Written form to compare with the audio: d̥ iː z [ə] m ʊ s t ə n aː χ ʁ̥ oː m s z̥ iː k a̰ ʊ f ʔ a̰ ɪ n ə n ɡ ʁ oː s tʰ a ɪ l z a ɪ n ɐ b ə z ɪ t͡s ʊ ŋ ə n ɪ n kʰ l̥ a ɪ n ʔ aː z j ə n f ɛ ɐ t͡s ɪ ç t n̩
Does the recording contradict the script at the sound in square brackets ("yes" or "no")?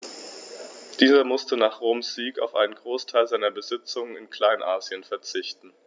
yes